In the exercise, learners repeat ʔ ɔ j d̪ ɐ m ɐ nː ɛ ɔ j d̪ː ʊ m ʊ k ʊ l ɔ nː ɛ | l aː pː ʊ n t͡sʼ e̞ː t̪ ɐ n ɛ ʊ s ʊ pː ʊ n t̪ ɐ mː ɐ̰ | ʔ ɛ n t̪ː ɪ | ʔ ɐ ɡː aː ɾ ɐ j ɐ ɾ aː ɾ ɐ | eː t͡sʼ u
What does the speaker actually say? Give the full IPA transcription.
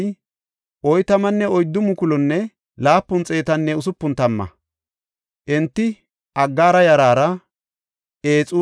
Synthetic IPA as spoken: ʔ ɔ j t̪ ɐ m ɐ nː ɛ ɔ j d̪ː ʊ m ʊ k ʊ l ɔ nː ɛ | l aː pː ʊ n t͡sʼ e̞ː t̪ ɐ nː ɛ ʊ s ʊ pː ʊ n t̪ ɐ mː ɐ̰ | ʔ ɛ n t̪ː ɪ | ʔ ɐ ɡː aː ɾ ɐ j ɐ ɾ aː ɾ ɐ | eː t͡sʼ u